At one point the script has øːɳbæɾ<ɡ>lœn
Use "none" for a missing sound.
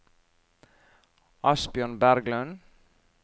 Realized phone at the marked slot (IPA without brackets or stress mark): ɡ